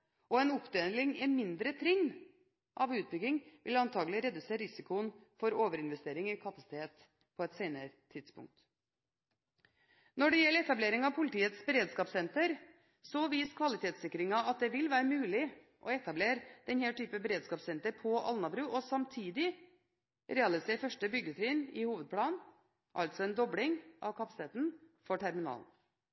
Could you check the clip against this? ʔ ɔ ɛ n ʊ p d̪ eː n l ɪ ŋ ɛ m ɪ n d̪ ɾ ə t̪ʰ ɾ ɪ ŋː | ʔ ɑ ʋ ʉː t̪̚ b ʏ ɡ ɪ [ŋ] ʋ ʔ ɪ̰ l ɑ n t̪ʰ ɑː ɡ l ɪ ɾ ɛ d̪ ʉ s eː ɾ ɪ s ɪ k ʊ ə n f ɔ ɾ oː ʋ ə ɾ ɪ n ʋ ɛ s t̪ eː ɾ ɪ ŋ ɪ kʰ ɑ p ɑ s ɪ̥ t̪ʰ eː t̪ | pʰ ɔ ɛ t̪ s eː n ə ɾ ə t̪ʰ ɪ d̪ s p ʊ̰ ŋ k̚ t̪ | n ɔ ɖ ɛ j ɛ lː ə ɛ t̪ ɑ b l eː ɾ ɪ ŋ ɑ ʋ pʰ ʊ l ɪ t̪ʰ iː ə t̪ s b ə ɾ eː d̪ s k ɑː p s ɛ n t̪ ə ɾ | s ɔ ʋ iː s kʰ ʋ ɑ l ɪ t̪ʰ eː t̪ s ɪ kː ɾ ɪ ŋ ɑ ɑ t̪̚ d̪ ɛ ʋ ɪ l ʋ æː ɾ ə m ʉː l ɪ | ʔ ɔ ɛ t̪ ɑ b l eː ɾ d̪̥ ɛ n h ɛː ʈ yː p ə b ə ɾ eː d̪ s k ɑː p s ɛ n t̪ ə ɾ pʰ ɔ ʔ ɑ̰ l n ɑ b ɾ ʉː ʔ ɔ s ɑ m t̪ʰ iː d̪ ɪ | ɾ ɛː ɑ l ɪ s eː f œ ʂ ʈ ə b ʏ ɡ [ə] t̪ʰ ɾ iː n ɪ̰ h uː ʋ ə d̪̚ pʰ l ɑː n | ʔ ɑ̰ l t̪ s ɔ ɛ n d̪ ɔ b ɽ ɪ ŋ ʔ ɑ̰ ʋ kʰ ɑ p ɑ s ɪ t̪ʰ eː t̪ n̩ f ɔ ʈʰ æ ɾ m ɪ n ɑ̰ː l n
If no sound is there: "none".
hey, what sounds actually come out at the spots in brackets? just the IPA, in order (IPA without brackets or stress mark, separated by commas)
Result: ŋ, ə